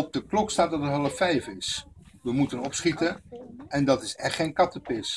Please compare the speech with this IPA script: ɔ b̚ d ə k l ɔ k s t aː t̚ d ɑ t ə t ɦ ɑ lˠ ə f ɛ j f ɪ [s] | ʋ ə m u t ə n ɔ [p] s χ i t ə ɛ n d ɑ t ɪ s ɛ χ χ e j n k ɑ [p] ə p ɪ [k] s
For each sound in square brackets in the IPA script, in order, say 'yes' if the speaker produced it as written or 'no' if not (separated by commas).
yes, yes, no, no